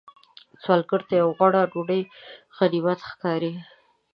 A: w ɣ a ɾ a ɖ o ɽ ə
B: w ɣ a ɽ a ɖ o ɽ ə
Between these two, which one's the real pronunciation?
B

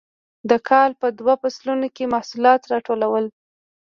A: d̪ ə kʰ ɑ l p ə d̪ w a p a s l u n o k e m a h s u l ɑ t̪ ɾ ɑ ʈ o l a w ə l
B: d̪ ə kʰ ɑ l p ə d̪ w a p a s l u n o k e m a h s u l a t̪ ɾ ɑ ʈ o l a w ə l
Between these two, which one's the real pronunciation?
A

